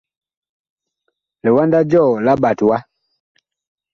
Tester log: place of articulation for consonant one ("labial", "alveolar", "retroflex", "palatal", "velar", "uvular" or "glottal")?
alveolar